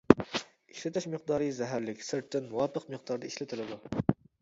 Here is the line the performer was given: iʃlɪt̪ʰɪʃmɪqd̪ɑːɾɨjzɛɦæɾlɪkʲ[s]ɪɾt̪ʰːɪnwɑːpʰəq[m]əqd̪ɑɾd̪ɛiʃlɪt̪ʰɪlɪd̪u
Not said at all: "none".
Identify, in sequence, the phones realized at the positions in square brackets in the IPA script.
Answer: s, m

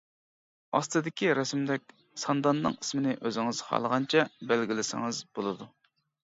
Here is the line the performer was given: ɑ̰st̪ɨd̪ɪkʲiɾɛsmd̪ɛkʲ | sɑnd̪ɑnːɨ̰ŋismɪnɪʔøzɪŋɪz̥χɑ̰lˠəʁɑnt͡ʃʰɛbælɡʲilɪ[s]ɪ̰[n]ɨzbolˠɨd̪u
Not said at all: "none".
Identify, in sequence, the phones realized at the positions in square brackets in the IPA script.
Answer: s, ŋ

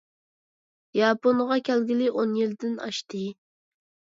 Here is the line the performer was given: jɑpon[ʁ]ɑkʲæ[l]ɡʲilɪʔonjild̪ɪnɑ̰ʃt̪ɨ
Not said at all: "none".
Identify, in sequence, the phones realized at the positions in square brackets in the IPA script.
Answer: ʁ, l

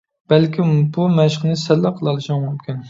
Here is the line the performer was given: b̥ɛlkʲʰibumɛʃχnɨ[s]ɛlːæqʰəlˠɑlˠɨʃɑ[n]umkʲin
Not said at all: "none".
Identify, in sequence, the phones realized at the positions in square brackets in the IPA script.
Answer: s, m

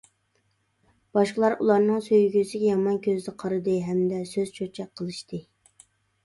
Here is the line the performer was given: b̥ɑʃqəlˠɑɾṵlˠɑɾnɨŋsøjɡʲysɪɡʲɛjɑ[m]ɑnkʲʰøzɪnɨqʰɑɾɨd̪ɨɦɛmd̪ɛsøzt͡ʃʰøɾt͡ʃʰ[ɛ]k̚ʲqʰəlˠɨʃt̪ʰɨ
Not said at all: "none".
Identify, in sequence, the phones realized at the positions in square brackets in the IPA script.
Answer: m, ɛ

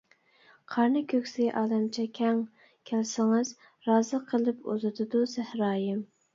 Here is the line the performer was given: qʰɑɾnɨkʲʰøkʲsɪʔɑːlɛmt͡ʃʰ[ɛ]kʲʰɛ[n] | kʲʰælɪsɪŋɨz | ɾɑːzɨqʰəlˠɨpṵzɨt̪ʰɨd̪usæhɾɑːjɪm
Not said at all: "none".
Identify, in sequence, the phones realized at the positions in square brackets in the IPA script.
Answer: ɛ, ŋ

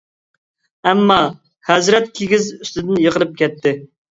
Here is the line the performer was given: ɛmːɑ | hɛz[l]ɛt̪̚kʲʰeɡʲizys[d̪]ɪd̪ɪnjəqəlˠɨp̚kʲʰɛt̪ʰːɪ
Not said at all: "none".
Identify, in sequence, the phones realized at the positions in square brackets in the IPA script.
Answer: ɾ, t̪

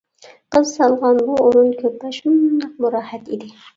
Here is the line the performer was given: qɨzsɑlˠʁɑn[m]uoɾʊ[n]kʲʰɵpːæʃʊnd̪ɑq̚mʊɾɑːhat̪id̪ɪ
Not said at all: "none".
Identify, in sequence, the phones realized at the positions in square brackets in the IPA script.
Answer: b, n

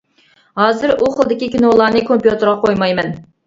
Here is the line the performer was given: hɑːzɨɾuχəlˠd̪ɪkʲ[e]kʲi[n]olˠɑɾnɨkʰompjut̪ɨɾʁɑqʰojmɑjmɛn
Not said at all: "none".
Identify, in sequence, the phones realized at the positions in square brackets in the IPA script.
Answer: i, n

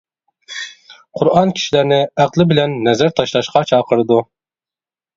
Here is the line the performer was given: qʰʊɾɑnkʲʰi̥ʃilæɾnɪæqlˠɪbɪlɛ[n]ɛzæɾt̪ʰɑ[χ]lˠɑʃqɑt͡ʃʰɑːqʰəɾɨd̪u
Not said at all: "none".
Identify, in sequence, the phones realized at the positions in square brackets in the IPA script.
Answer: nː, ʃ

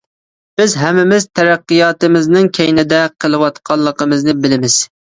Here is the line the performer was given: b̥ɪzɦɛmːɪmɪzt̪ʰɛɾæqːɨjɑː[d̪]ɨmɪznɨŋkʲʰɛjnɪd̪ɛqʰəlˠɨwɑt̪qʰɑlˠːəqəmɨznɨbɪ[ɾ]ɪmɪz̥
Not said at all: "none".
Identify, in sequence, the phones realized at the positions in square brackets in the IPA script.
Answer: t̪, l

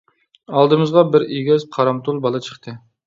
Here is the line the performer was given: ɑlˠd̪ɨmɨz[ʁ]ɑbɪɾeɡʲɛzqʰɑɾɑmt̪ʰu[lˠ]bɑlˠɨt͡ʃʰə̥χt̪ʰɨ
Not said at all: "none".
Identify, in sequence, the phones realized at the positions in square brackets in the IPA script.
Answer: ʁ, lˠ

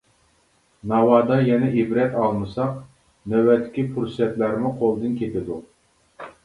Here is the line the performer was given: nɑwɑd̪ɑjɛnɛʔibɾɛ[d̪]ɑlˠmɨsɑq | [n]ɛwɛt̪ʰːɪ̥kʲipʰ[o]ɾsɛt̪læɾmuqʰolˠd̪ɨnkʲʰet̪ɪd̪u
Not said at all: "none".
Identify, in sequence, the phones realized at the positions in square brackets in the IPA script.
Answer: t̪, n, u

